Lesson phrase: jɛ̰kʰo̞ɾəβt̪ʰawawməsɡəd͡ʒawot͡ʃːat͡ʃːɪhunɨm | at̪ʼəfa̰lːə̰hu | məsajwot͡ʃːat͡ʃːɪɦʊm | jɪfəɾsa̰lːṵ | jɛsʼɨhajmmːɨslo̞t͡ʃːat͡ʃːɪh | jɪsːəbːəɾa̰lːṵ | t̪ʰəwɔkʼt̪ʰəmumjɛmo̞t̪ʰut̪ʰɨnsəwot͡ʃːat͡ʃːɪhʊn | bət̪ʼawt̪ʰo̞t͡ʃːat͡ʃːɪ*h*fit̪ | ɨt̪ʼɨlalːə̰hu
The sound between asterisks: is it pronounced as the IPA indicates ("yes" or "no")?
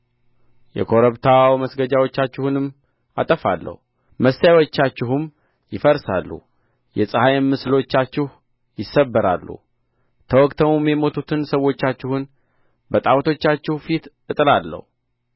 yes